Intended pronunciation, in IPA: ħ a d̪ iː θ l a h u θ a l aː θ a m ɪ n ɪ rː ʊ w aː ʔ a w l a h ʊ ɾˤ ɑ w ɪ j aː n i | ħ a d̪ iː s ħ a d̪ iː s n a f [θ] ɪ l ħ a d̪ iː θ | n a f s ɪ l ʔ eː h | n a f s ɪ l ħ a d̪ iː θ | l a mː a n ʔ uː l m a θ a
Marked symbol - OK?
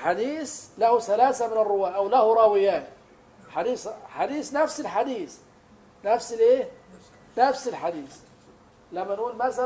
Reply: no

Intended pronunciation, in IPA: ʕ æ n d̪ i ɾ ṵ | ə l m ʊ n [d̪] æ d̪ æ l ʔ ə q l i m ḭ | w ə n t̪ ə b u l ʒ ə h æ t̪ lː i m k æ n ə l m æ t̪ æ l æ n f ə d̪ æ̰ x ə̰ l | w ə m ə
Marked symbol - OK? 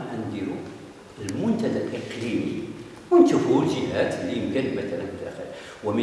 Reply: no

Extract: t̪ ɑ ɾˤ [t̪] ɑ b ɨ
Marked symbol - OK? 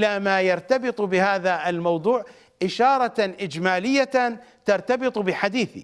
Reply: yes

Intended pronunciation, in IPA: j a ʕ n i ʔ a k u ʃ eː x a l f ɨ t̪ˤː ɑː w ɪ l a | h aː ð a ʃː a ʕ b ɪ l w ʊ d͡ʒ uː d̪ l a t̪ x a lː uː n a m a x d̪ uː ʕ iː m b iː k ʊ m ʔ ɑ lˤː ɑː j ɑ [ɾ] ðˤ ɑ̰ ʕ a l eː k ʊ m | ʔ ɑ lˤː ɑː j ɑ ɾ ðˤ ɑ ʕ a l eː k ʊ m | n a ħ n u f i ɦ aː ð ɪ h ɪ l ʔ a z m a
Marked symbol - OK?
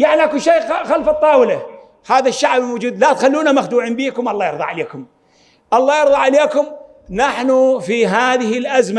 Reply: yes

